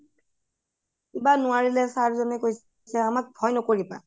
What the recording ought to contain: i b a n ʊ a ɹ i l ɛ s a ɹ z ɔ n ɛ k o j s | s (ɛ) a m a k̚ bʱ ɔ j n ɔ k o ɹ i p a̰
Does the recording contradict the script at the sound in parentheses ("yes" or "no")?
no